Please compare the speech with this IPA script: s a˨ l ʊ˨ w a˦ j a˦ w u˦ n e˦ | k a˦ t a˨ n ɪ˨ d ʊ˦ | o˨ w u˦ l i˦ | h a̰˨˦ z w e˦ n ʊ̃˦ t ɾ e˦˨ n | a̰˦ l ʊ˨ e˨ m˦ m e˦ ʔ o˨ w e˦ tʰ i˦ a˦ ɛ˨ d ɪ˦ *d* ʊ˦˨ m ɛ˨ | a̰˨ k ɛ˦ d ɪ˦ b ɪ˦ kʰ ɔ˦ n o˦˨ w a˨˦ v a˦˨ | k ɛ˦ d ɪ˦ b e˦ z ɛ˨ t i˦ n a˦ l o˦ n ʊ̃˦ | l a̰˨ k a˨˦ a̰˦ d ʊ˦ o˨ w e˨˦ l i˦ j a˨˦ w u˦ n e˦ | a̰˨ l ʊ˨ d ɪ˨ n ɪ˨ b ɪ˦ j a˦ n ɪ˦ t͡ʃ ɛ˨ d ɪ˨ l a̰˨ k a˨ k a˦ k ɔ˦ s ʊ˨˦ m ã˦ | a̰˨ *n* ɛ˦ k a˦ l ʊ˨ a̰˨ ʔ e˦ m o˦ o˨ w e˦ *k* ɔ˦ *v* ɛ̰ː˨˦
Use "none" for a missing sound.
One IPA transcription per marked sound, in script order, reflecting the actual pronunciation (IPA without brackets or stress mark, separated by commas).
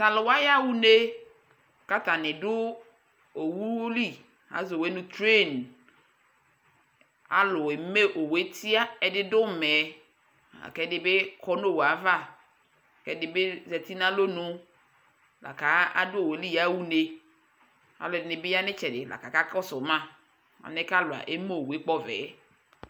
d, n, k͡p, v